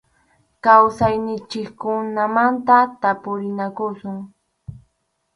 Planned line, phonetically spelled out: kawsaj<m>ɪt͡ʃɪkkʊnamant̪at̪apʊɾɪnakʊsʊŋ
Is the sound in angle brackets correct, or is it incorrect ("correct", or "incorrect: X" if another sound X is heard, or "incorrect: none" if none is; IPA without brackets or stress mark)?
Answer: incorrect: n